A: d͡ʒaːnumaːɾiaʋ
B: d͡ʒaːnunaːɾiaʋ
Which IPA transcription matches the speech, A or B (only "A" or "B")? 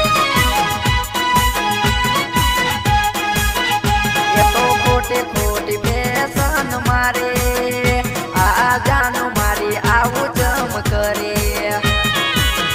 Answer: A